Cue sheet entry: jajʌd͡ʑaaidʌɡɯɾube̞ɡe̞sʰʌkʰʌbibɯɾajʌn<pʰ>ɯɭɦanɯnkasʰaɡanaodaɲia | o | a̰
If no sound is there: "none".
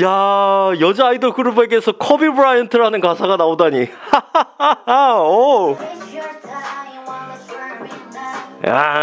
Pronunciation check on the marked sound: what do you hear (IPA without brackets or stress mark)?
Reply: tʰ